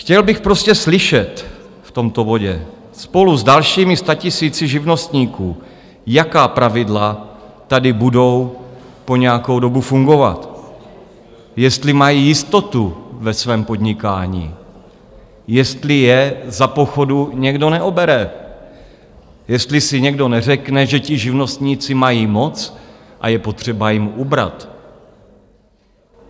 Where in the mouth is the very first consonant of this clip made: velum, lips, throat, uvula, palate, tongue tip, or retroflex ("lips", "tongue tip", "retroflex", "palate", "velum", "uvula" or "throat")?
velum